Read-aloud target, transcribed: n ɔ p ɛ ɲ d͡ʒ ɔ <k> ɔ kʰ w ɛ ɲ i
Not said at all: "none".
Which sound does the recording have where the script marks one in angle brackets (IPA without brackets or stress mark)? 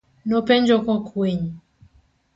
k